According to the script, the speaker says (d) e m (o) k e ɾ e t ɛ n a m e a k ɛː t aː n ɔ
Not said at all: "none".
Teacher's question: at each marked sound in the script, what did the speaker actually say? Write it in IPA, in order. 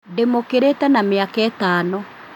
d, o

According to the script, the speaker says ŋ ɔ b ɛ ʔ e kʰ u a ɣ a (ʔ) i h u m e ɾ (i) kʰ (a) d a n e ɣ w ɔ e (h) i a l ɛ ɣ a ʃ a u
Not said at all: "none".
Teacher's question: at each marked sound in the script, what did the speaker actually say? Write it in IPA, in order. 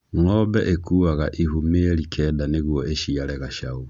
ʔ, i, ɛ, ʃ

